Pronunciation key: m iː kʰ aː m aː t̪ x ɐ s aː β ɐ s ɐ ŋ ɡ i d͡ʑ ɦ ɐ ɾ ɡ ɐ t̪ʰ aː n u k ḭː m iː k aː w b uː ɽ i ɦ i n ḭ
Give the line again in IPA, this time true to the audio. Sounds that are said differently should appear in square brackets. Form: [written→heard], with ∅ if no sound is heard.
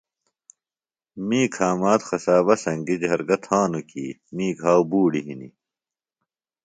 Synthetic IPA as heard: m iː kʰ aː m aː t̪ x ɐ s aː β ɐ s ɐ ŋ ɡ i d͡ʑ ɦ ɐ ɾ ɡ ɐ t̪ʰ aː n u k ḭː m iː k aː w b uː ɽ i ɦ i n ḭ